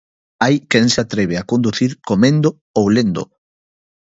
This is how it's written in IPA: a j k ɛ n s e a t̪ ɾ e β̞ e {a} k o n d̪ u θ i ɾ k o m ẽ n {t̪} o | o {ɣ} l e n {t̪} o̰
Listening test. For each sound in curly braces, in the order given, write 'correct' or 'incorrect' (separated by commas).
correct, incorrect, incorrect, incorrect